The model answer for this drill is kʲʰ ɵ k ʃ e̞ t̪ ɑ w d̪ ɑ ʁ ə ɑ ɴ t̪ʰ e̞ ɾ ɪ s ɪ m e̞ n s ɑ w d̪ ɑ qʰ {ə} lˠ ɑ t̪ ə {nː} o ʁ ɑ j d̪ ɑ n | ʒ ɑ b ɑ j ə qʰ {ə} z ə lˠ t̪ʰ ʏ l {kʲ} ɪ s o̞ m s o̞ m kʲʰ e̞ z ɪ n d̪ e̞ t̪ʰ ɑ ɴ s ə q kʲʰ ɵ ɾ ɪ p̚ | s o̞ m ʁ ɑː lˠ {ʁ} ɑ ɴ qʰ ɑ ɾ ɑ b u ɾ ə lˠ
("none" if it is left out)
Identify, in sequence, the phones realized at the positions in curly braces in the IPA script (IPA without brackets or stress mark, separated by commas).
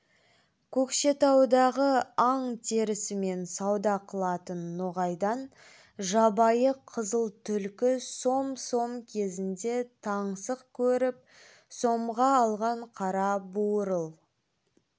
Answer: ə, nː, ə, kʲ, ʁ